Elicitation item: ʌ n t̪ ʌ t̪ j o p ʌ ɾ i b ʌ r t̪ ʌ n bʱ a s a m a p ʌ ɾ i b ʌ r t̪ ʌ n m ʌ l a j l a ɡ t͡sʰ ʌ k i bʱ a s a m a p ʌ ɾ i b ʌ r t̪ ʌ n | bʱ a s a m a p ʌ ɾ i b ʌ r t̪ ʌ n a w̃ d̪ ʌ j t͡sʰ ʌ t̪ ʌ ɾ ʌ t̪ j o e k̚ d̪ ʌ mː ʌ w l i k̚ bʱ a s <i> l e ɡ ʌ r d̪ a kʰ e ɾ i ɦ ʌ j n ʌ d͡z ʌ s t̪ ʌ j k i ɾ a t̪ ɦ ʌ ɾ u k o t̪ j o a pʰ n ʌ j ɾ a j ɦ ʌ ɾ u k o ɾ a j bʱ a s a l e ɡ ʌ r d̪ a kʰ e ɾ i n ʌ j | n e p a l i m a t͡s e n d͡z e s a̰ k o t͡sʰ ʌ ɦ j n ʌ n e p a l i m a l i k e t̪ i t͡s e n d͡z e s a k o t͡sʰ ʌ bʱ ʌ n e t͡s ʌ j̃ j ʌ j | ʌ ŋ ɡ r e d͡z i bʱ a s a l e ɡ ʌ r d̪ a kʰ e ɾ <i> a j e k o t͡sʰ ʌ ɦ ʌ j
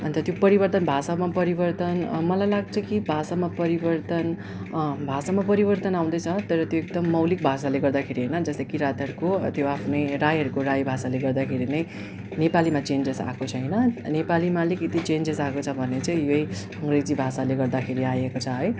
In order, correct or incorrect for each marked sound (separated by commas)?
incorrect, correct